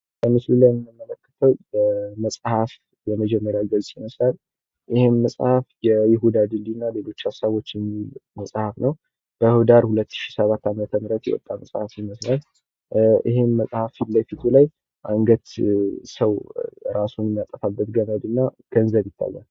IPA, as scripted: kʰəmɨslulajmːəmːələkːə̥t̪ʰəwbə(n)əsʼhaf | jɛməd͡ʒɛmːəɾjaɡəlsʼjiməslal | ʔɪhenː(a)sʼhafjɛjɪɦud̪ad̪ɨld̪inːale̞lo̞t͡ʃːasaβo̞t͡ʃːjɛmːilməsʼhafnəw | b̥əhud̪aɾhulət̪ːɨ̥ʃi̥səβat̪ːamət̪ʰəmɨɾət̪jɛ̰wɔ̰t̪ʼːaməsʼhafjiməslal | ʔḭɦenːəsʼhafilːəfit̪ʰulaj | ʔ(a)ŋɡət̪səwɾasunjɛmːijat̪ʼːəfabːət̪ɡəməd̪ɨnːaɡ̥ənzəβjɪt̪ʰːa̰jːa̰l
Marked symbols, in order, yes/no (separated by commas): no, no, yes